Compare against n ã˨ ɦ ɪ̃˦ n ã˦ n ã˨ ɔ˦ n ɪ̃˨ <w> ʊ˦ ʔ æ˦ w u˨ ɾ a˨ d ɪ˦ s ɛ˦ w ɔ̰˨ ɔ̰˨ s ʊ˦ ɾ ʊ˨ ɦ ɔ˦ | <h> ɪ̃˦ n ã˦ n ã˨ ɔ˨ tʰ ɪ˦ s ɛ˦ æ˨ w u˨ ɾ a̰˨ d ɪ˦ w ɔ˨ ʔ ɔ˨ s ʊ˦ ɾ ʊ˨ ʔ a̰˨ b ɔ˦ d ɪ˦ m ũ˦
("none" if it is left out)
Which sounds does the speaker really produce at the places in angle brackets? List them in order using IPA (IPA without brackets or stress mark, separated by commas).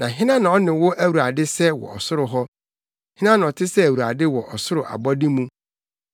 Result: w, h